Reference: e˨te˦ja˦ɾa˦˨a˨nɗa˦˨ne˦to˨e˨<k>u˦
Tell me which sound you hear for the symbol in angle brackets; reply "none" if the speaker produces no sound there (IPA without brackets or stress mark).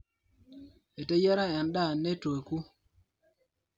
k